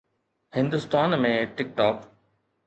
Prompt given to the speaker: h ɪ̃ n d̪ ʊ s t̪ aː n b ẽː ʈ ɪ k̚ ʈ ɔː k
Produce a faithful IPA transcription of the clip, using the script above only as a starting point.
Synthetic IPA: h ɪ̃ n d̪ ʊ s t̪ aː n m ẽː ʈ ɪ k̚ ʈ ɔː k